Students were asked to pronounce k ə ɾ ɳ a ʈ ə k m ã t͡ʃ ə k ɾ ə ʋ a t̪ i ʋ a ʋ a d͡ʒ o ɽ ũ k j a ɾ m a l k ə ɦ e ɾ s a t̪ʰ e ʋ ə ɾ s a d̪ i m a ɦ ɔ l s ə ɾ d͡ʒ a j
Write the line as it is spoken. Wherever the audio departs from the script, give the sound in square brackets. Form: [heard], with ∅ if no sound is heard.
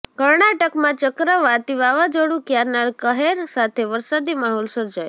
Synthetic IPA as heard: k ə ɾ ɳ a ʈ ə k m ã t͡ʃ ə k ɾ ə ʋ a t̪ i ʋ a ʋ a d͡ʒ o ɽ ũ k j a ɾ [n] a l k ə ɦ e ɾ s a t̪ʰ e ʋ ə ɾ s a d̪ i m a ɦ ɔ l s ə ɾ d͡ʒ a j